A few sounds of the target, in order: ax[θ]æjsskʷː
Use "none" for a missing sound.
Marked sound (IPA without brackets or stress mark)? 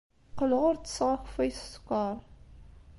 f